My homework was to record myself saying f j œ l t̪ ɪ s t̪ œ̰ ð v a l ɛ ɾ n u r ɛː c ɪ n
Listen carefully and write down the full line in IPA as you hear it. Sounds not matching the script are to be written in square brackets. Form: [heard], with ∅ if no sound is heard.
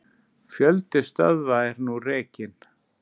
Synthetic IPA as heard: f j œ l t̪ ɪ s t̪ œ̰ ð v a [∅] ɛ ɾ n u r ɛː c ɪ n